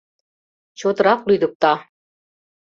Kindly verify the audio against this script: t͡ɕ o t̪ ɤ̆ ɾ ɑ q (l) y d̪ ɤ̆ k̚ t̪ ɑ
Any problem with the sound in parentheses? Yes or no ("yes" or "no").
no